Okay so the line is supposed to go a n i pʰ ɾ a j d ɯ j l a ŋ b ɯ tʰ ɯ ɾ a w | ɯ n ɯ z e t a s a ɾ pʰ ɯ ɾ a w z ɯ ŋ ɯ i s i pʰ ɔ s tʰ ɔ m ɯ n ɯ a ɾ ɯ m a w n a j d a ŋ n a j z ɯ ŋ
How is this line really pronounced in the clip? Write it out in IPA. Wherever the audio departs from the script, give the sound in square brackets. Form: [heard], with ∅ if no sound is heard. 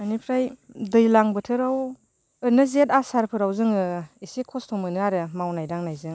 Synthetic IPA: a n i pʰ ɾ a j d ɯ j l a ŋ b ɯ tʰ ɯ ɾ a w | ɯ n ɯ z e t a s a ɾ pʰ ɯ ɾ a w z ɯ ŋ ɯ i s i [kʰ] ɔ s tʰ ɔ m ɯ n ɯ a ɾ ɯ m a w n a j d a ŋ n a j z ɯ ŋ